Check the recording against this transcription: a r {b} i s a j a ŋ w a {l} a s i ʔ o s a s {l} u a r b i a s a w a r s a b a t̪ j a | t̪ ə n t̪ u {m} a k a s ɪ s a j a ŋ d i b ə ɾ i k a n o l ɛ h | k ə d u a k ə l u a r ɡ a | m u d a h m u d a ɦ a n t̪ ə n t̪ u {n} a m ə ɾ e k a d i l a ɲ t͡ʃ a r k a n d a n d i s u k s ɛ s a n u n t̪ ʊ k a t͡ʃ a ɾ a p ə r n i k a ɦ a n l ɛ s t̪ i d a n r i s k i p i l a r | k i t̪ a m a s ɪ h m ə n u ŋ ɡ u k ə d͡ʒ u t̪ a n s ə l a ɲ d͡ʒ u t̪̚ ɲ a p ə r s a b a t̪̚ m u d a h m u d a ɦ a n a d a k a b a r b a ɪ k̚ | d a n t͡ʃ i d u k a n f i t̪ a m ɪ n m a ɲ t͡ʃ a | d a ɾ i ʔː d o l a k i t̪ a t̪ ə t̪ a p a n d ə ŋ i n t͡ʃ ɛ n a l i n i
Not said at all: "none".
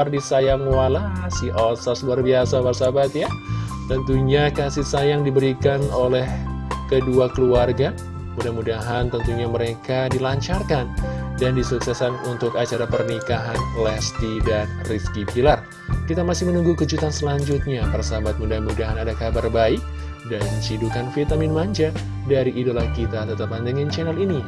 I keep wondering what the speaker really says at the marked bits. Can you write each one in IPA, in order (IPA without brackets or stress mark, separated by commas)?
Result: d, l, l, ɲ, ɲ